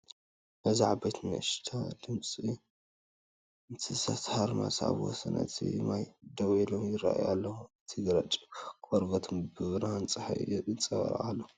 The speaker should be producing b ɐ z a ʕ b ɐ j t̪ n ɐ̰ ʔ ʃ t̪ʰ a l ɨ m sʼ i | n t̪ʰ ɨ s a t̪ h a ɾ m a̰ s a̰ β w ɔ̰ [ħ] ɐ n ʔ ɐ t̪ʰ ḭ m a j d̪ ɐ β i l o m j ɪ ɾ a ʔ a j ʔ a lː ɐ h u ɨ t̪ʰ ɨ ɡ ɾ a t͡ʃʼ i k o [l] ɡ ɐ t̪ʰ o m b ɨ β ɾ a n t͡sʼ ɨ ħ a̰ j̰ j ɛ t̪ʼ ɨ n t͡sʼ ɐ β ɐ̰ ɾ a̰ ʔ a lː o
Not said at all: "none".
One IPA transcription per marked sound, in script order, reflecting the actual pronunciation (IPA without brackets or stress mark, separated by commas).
s, ɾ